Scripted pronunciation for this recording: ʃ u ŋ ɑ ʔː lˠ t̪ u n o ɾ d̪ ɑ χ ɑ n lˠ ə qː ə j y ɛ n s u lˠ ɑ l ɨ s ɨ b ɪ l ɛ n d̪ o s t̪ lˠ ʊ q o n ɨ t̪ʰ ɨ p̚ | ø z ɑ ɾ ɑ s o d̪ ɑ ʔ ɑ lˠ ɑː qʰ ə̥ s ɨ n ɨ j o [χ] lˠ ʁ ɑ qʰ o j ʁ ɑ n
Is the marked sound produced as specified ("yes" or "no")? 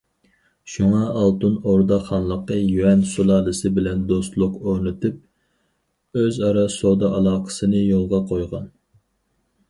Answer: no